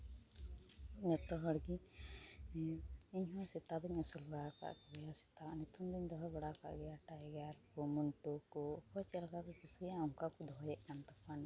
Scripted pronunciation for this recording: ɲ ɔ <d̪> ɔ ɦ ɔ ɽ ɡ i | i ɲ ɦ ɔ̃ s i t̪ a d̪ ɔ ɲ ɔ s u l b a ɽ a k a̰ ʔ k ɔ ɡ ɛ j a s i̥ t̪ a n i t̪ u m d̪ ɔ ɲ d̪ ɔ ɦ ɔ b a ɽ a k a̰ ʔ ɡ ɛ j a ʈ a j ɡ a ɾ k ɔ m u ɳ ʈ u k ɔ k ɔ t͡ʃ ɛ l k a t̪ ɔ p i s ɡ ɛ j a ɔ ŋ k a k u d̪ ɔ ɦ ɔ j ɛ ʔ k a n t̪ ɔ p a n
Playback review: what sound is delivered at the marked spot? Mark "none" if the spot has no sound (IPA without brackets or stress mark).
t̪